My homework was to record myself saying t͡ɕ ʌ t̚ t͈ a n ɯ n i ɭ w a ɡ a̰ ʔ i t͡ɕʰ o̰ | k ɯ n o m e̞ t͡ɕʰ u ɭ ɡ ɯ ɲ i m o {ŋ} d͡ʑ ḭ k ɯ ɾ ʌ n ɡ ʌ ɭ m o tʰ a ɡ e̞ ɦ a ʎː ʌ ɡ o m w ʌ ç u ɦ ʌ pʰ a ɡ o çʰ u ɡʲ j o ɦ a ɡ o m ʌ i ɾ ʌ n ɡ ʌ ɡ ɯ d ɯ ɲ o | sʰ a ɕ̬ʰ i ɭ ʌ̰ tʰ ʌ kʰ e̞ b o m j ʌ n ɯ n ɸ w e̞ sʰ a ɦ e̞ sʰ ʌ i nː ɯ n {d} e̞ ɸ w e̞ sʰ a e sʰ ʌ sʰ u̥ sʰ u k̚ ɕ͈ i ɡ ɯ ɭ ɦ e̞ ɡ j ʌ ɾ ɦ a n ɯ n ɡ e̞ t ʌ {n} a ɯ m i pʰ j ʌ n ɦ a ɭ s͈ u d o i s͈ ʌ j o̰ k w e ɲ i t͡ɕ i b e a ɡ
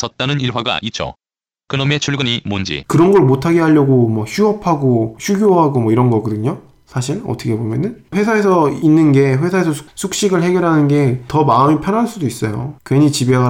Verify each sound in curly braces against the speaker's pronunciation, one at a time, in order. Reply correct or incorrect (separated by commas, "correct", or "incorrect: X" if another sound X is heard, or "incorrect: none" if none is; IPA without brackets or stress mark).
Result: incorrect: n, incorrect: ɡ, incorrect: m